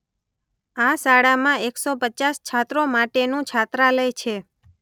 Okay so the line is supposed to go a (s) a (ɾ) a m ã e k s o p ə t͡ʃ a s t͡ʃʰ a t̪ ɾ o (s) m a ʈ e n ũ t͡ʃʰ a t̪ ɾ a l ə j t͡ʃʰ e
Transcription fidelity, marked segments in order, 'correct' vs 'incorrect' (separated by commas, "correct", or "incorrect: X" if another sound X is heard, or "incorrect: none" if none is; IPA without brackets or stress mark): correct, incorrect: ɽ, incorrect: none